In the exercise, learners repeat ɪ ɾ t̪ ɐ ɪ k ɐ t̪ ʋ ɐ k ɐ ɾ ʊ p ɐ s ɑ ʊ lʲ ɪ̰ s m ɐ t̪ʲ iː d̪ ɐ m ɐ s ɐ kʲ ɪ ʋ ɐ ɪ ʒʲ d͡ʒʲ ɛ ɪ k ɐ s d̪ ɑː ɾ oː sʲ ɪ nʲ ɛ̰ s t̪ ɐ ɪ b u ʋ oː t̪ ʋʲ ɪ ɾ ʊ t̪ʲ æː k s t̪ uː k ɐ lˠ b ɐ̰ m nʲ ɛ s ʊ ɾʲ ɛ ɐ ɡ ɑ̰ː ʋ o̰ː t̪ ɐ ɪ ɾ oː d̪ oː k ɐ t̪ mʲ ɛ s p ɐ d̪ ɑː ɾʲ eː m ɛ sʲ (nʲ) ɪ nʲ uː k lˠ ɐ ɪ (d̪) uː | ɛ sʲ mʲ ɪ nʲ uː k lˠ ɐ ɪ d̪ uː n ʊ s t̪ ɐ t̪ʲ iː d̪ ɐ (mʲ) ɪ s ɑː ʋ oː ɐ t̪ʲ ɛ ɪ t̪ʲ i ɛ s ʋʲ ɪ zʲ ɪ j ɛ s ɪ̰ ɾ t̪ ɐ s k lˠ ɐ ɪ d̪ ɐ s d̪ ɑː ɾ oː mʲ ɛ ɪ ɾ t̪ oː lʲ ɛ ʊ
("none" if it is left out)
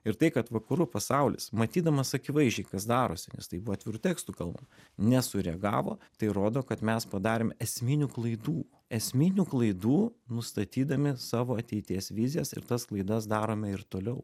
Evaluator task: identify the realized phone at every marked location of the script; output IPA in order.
mʲ, d̪, mʲ

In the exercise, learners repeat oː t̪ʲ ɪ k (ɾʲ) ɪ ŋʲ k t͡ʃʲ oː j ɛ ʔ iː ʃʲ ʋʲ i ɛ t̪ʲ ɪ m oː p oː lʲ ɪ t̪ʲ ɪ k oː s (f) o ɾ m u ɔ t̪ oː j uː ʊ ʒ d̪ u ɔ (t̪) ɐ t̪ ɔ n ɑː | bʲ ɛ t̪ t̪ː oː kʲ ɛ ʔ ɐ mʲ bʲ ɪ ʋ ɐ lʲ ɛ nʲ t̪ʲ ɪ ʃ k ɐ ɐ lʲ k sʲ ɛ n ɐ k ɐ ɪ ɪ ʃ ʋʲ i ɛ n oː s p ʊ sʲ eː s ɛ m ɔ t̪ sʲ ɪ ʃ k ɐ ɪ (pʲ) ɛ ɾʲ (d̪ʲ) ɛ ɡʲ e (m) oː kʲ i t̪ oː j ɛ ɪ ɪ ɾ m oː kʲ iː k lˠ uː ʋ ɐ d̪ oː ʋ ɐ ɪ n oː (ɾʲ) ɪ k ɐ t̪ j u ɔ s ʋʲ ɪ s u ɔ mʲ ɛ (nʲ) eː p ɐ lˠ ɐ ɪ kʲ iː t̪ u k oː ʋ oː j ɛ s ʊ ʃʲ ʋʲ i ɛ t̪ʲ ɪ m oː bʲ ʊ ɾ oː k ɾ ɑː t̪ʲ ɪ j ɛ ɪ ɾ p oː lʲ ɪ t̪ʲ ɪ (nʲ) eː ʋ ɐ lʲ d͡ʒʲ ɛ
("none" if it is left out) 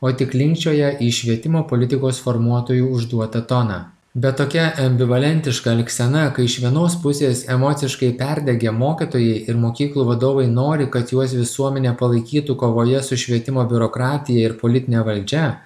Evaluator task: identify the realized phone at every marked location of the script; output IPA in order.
lʲ, f, t̪, pʲ, d̪ʲ, m, ɾʲ, nʲ, nʲ

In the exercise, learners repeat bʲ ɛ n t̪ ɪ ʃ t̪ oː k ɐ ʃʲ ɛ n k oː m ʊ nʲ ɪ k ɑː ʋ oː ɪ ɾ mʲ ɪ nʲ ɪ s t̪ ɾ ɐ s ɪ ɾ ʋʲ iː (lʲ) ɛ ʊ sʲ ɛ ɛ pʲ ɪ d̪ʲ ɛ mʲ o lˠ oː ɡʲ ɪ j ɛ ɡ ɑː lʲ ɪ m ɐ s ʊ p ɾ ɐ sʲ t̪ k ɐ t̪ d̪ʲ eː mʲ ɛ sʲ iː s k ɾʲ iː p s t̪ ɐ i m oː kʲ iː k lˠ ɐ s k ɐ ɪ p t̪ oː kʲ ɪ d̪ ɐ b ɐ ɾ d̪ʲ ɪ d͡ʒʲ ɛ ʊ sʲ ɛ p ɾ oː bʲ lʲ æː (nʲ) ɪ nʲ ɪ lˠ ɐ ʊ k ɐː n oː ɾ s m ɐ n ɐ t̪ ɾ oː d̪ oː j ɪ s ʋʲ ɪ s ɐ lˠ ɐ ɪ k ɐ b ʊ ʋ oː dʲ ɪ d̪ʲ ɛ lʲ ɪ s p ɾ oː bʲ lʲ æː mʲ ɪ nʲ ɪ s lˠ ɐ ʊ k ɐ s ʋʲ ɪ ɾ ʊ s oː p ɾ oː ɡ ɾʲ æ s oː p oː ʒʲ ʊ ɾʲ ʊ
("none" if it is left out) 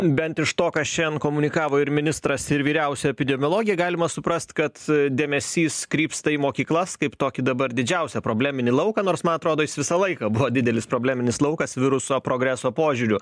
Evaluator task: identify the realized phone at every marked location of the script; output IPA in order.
ɾʲ, mʲ

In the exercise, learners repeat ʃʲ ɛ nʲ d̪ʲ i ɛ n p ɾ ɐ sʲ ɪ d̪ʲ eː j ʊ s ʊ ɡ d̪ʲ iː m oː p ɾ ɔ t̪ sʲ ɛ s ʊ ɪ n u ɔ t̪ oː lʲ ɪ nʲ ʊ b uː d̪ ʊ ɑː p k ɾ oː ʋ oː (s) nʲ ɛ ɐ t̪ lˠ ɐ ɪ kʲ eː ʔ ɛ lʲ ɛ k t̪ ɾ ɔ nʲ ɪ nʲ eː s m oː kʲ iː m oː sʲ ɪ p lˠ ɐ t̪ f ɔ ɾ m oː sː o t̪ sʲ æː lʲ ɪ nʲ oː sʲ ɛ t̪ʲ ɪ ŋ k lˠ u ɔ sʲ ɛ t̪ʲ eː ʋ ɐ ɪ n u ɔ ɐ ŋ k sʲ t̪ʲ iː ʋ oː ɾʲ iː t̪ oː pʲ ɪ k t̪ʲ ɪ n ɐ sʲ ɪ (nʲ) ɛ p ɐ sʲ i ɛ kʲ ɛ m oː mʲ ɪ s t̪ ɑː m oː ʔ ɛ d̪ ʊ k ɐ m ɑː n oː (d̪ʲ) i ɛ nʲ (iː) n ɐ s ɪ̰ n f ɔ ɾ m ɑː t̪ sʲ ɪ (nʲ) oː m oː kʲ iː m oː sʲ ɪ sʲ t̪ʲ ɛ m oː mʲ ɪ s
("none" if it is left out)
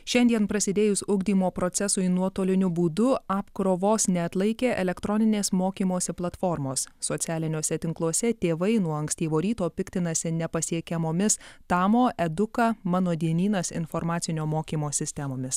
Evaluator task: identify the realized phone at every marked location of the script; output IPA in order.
s, nʲ, d̪ʲ, iː, nʲ

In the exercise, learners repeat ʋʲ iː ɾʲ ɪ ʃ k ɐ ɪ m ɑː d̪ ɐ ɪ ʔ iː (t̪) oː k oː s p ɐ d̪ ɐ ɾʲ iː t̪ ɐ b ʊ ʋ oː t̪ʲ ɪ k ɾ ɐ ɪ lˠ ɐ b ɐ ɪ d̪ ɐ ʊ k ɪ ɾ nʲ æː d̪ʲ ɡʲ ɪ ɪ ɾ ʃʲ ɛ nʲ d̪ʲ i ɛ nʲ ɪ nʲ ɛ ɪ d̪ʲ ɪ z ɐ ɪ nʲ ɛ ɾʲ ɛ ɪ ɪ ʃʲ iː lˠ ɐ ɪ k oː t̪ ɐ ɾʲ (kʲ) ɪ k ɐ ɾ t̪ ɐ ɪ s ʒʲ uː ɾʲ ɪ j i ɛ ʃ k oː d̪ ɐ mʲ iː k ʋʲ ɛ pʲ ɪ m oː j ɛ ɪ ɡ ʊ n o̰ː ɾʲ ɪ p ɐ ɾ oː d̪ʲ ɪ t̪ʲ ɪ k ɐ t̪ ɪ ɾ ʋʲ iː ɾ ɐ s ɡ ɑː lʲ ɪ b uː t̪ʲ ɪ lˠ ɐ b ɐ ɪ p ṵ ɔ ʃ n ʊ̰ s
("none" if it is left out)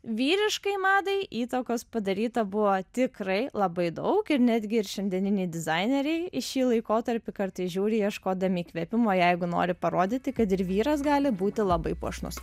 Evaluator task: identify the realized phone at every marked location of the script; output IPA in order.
t̪, pʲ

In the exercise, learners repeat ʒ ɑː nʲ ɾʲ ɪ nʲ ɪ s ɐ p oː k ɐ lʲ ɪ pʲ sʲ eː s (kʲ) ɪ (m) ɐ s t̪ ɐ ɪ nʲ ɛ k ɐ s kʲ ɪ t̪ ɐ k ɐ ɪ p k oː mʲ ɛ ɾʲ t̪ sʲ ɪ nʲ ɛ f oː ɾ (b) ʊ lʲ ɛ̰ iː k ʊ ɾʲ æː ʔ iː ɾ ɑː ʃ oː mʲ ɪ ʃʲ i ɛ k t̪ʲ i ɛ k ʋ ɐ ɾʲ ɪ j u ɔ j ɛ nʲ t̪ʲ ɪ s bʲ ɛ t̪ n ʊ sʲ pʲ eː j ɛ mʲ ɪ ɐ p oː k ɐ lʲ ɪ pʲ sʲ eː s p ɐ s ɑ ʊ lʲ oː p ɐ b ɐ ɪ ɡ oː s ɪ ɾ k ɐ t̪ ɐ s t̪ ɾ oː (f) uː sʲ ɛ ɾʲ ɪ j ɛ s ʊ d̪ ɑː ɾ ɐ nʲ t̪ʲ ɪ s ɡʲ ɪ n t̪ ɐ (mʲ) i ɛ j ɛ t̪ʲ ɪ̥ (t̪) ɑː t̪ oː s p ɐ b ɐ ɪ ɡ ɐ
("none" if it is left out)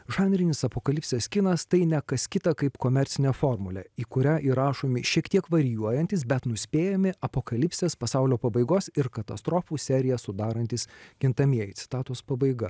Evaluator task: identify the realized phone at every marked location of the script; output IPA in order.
kʲ, n, m, f, mʲ, t̪

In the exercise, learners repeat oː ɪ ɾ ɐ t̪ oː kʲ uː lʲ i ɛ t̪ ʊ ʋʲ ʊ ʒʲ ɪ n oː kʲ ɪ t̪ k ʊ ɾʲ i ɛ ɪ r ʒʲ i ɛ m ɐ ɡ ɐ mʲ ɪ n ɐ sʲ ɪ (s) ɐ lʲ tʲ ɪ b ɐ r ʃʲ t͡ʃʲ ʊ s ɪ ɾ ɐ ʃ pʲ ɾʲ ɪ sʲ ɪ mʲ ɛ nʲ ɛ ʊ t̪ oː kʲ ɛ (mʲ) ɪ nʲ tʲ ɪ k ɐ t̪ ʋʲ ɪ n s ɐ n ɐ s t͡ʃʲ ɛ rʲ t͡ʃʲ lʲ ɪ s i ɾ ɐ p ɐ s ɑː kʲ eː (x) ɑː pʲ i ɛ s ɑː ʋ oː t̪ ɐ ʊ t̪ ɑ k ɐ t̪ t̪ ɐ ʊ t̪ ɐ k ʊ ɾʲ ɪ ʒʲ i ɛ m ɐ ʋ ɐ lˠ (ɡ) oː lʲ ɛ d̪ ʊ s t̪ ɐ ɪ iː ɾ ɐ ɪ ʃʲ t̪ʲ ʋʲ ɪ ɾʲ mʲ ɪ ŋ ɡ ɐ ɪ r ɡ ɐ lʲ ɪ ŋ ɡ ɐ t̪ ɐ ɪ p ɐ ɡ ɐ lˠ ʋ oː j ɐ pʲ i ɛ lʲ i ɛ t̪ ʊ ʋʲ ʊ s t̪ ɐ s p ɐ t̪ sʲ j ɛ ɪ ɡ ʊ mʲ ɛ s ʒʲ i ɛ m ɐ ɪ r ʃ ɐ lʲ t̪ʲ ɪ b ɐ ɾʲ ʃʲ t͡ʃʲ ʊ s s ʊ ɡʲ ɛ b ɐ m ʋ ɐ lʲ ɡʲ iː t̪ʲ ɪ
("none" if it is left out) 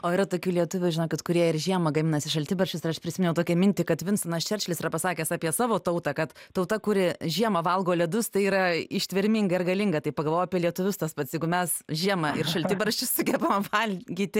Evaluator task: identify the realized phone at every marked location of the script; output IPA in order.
ʃ, mʲ, s, ɡ

